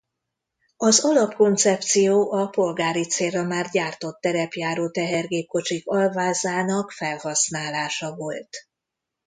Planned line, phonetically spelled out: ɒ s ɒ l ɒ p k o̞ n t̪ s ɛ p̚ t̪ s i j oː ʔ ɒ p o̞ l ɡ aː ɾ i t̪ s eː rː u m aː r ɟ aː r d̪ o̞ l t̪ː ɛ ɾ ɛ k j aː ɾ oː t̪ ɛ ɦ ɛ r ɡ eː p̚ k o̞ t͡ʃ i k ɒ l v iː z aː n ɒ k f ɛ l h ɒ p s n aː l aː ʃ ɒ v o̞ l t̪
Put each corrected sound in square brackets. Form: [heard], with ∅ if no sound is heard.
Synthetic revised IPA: ɒ [z] ɒ l ɒ p k o̞ n t̪ s ɛ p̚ t̪ s i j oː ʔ ɒ p o̞ l ɡ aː ɾ i t̪ s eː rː [ɒ] m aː r ɟ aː r [t̪] o̞ [∅] t̪ː ɛ ɾ ɛ [p] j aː ɾ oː t̪ ɛ ɦ ɛ r ɡ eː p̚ k o̞ t͡ʃ i k ɒ l v [aː] z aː n ɒ k f ɛ l h ɒ [∅] s n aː l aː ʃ ɒ v o̞ l t̪

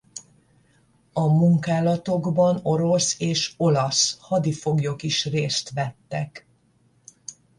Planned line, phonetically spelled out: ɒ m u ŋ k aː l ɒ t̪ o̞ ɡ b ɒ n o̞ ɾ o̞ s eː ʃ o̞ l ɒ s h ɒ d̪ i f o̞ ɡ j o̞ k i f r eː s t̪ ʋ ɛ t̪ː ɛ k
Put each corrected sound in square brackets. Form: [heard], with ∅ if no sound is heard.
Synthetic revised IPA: ɒ m u ŋ k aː l ɒ t̪ o̞ ɡ b ɒ n o̞ ɾ o̞ s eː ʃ o̞ l ɒ s h ɒ d̪ i f o̞ ɡ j o̞ k i [ʃ] r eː s t̪ ʋ ɛ t̪ː ɛ k

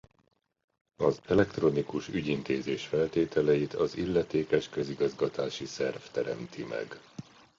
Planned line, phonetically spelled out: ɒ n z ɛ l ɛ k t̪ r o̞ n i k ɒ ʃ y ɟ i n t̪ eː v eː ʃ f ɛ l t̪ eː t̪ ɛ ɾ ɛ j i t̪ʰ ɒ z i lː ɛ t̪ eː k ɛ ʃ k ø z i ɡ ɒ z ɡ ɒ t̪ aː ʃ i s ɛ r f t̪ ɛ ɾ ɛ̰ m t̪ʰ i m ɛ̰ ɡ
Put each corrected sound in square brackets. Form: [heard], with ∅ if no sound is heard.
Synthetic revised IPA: ɒ [∅] z ɛ l ɛ k t̪ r o̞ n i k [u] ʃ y ɟ i n t̪ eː [z] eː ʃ f ɛ l t̪ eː t̪ ɛ [l] ɛ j i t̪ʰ ɒ z i lː ɛ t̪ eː k ɛ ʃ k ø z i ɡ ɒ z ɡ ɒ t̪ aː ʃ i s ɛ r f t̪ ɛ ɾ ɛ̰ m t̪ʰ i m ɛ̰ ɡ

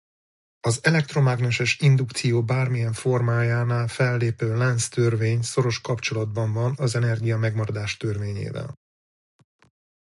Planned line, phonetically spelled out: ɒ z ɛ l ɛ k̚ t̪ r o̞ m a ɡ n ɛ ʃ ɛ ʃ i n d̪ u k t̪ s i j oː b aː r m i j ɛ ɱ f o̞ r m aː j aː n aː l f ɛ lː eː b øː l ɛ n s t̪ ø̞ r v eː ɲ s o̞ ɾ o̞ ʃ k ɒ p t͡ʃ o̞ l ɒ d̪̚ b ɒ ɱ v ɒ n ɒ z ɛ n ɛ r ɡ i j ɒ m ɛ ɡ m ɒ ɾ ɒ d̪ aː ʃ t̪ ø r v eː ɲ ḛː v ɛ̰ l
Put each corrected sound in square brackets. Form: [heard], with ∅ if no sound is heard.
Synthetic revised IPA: ɒ z ɛ l ɛ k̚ t̪ r o̞ m a ɡ n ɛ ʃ ɛ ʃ i n d̪ u k t̪ s i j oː b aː r m i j ɛ ɱ f o̞ r m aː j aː n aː l f ɛ lː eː [p] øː l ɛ n s t̪ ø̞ r v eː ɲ s o̞ ɾ o̞ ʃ k ɒ p t͡ʃ o̞ l ɒ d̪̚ b ɒ ɱ v ɒ n ɒ z ɛ n ɛ r ɡ i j ɒ m ɛ ɡ m ɒ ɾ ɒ d̪ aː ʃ t̪ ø r v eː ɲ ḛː v ɛ̰ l

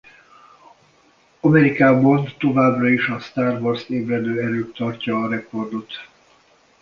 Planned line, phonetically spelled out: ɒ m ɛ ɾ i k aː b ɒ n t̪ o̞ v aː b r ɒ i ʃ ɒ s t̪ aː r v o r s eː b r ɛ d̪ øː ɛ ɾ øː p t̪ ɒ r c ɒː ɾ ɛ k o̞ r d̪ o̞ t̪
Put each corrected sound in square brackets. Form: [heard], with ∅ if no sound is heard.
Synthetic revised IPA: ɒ m ɛ ɾ i k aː b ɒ n t̪ o̞ v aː b r ɒ i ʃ ɒ s t̪ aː r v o r s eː b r ɛ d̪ øː ɛ ɾ øː [k] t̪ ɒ r c ɒː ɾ ɛ k o̞ r d̪ o̞ t̪

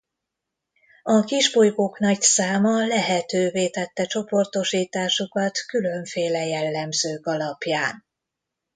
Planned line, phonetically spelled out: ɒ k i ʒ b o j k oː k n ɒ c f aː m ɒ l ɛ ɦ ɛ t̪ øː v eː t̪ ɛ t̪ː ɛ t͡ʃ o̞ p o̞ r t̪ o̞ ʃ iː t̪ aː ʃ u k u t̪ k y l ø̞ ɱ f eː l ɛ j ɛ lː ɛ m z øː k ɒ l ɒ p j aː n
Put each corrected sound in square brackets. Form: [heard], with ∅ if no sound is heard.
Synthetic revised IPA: ɒ k i ʒ b o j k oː k n ɒ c [s] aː m ɒ l ɛ ɦ ɛ t̪ øː v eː t̪ ɛ t̪ː ɛ t͡ʃ o̞ p o̞ r t̪ o̞ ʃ iː t̪ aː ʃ u k [ɒ] t̪ k y l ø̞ ɱ f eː l ɛ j ɛ lː ɛ m z øː k ɒ l ɒ p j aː n

